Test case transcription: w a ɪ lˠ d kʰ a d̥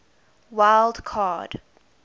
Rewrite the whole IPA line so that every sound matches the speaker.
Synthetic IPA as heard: w a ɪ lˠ d kʰ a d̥